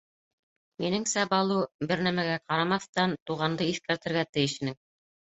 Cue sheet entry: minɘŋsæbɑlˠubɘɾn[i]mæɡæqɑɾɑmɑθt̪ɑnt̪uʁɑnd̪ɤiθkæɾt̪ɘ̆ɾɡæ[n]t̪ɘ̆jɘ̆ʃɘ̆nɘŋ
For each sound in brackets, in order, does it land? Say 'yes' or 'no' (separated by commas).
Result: no, no